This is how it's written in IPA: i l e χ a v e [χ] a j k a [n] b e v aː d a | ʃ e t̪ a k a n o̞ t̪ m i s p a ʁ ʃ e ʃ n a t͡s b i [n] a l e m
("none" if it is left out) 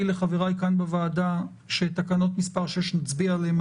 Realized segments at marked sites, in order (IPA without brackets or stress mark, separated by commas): ʁ, n, none